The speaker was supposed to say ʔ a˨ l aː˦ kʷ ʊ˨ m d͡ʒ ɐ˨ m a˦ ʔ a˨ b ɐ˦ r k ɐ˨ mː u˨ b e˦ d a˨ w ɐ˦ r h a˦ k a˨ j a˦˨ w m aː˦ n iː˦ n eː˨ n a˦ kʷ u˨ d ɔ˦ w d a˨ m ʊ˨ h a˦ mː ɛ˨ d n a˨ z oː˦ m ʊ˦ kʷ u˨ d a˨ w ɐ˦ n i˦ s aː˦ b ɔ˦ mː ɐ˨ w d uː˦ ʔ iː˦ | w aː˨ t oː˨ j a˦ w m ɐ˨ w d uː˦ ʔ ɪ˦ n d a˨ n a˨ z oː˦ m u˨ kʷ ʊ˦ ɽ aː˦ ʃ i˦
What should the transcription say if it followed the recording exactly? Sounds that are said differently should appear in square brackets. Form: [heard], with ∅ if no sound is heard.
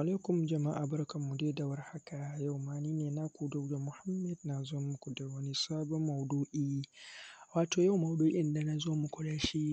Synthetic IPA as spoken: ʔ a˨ l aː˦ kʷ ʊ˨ m d͡ʒ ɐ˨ m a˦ ʔ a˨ b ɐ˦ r k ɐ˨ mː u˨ [d] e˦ d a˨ w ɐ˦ r h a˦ k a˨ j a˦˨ w m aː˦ n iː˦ n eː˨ n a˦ kʷ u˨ d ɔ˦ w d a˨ m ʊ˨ h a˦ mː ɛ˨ d n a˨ z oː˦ m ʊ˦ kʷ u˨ d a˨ w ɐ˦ n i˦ s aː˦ b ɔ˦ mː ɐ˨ w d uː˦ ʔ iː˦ | w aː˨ t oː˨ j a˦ w m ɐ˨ w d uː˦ ʔ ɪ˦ n d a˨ n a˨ z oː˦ m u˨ kʷ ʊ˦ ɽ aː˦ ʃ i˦